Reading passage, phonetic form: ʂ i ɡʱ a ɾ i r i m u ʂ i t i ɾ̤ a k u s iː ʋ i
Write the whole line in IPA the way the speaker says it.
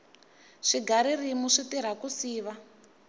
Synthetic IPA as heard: ʂ i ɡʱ a ɾ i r i m u ʂ i t i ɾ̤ a k u s iː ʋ a